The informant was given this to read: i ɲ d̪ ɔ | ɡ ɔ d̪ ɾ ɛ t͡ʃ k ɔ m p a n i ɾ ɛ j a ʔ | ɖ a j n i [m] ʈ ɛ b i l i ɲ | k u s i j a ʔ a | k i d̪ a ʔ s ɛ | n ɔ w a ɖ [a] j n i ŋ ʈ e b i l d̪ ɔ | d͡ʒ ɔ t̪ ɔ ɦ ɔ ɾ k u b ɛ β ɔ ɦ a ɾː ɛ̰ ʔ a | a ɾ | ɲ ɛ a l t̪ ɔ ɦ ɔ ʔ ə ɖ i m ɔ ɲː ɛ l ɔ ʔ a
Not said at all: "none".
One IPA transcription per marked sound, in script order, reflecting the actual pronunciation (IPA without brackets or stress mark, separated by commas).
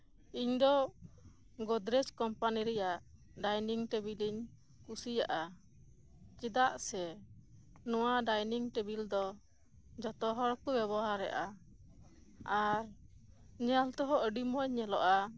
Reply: ŋ, a